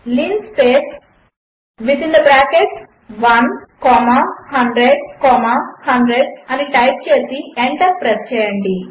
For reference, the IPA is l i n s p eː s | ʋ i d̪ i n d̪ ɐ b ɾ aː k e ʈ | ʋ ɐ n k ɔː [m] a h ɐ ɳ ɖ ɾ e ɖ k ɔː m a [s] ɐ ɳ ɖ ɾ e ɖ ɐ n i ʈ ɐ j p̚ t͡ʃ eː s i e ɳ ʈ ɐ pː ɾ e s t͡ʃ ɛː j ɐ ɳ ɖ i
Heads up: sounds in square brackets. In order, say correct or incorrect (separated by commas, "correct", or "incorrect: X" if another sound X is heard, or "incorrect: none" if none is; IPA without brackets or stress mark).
correct, incorrect: h